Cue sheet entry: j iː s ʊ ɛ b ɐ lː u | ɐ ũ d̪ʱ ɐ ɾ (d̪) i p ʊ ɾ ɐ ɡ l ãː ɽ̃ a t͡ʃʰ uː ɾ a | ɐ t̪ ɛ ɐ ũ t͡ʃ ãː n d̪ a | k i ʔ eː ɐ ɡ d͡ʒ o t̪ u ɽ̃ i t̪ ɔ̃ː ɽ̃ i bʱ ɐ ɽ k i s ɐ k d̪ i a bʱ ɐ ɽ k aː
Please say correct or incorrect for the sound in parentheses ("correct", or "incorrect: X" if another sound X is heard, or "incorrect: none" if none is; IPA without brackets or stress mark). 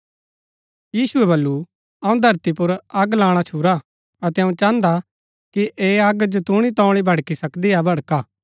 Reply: incorrect: t̪